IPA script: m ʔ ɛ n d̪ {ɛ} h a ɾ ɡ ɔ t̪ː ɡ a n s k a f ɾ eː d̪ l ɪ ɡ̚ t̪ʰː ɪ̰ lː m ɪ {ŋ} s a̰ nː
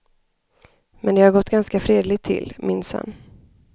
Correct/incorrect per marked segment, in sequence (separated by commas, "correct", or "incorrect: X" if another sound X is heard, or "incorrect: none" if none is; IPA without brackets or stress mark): correct, incorrect: n